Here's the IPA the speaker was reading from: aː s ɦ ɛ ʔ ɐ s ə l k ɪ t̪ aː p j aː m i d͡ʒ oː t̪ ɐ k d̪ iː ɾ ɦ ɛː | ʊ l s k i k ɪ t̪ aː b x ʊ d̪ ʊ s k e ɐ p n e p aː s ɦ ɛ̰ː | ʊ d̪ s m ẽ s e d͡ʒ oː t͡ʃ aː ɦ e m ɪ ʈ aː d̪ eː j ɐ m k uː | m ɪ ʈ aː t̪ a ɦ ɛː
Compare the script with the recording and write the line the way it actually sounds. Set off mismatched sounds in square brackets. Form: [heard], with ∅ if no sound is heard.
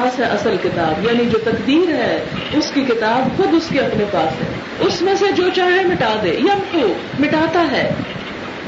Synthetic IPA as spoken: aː s ɦ ɛ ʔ ɐ s ə l k ɪ t̪ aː [b] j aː [n] i d͡ʒ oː t̪ ɐ k d̪ iː ɾ ɦ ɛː | ʊ [∅] s k i k ɪ t̪ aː b x ʊ d̪ ʊ s k e ɐ p n e p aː s ɦ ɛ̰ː | ʊ [∅] s m ẽ s e d͡ʒ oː t͡ʃ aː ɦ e m ɪ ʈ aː d̪ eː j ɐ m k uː | m ɪ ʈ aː t̪ a ɦ ɛː